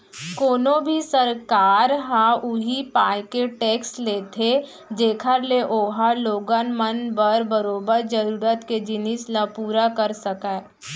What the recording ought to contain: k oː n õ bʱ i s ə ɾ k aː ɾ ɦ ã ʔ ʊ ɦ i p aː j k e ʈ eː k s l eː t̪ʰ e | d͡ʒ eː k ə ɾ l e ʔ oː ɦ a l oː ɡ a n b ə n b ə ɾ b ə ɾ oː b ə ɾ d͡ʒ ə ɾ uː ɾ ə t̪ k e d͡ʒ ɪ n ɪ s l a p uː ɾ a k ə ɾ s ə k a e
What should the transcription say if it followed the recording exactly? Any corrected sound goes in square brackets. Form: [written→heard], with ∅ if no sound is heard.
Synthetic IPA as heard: k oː n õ bʱ i s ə ɾ k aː ɾ ɦ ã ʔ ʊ ɦ i p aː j k e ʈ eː k s l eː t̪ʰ e | d͡ʒ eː [k→kʰ] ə ɾ l e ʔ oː ɦ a l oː ɡ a n [b→m] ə n b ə ɾ b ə ɾ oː b ə ɾ d͡ʒ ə ɾ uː ɾ ə t̪ k e d͡ʒ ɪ n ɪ s l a p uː ɾ a k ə ɾ s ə k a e